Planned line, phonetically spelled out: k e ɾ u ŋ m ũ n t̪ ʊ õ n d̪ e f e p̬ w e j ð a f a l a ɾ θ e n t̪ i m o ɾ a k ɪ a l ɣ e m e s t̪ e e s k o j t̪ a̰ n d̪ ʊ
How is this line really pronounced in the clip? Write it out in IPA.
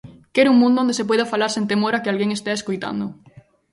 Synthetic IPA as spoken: k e ɾ u ŋ m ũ n d̪ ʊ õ n d̪ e s e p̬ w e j ð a f a l a ɾ s e n t̪ e m o ɾ a k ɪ a l ɣ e ŋ e s t̪ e e s k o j t̪ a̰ n d̪ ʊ

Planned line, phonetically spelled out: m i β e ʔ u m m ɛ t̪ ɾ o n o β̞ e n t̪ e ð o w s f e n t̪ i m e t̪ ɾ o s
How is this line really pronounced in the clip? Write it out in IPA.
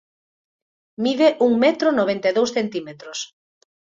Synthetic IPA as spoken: m i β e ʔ u ŋ m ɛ t̪ ɾ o n o β̞ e n t̪ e ð o w s θ e n t̪ i m e t̪ ɾ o s

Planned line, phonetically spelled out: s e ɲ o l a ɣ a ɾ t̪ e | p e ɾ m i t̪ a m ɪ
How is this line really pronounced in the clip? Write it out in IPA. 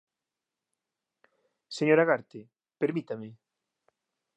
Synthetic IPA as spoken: s e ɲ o ɾ a ɣ a ɾ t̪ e | p e ɾ m i t̪ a m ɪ

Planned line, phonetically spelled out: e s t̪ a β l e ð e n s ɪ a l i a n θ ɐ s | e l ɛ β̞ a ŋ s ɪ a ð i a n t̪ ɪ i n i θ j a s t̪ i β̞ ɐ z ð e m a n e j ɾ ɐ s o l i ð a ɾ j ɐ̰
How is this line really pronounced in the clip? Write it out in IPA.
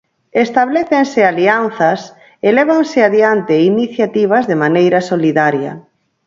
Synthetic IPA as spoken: e s t̪ a β l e θ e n s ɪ a l i a n θ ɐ s | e l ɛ β̞ a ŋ s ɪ a ð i a n t̪ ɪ i n i θ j a t̪ i β̞ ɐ z ð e m a n e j ɾ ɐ s o l i ð a ɾ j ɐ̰

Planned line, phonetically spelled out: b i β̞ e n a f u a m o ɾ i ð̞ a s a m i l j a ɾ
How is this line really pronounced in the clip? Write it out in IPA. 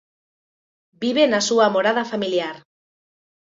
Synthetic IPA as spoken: b i β̞ e n a s u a m o ɾ a ð̞ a f a m i l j a ɾ

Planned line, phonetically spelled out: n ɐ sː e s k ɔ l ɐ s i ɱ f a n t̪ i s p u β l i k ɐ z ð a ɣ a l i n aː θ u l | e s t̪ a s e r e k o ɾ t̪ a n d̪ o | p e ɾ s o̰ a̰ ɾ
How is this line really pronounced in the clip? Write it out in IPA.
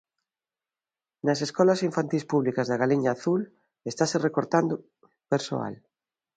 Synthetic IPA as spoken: n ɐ s e s k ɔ l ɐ s i ɱ f a n t̪ i s p u β l i k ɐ z ð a ɣ a l i ɲ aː θ u l | e s t̪ a s e r e k o ɾ t̪ a n d̪ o | p e ɾ s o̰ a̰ l

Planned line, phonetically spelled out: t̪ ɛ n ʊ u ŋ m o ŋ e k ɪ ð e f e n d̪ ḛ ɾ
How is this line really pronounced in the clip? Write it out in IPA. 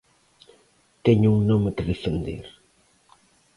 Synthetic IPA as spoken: t̪ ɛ ɲ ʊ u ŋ n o m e k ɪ ð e f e n d̪ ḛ ɾ

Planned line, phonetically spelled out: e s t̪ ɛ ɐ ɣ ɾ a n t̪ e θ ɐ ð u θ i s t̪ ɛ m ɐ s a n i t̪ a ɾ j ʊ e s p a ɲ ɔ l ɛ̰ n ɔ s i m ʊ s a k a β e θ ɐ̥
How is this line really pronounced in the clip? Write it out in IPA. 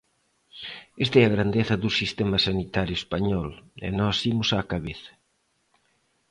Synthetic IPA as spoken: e s t̪ ɛ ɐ ɣ ɾ a n d̪ e θ ɐ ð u s i s t̪ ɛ m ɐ s a n i t̪ a ɾ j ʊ e s p a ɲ ɔ l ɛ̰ n ɔ s i m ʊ s a k a β e θ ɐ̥

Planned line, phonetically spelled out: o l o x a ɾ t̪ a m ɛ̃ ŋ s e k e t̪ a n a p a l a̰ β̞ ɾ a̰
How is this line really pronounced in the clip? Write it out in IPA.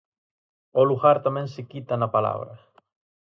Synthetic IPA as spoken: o l u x a ɾ t̪ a m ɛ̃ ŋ s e k i t̪ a n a p a l a̰ β̞ ɾ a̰

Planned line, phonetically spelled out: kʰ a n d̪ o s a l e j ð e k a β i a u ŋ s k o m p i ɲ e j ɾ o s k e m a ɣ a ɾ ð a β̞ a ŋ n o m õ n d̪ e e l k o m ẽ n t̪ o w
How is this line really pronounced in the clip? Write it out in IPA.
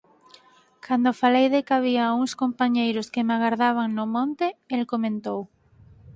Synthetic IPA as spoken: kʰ a n d̪ o f a l e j ð e k a β i a u ŋ s k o m p a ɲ e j ɾ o s k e m a ɣ a ɾ ð a β̞ a ŋ n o m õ n t̪ e e l k o m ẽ n t̪ o w

